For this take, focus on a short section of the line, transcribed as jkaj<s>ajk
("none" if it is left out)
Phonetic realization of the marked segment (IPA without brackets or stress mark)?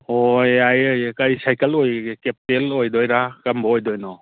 s